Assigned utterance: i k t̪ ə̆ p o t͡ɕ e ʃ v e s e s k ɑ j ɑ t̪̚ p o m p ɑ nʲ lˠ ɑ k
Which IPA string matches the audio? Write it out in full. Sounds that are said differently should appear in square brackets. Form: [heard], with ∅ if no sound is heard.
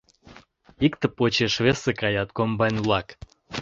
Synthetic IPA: i k t̪ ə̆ p o t͡ɕ e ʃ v e s e [∅] k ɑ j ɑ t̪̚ [k] o m [b] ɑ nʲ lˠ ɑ k